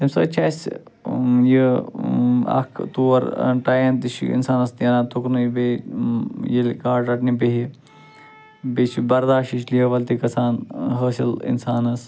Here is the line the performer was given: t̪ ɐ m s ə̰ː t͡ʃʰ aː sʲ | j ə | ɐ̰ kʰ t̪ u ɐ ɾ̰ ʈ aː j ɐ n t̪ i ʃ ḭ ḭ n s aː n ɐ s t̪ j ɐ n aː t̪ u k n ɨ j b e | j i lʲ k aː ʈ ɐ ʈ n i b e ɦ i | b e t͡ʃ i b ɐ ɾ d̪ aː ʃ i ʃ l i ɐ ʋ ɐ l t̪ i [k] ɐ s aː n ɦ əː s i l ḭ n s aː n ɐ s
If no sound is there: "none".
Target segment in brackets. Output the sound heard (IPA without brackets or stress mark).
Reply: k